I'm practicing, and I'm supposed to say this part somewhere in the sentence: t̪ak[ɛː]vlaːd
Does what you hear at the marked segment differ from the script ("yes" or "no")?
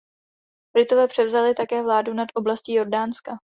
no